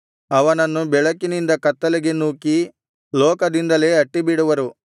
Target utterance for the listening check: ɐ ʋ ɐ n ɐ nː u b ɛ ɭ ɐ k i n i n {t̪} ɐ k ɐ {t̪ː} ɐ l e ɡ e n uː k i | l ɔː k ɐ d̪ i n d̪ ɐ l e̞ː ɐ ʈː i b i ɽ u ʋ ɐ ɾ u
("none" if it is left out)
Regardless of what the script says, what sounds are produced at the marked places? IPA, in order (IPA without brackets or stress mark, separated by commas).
d̪, t̪ː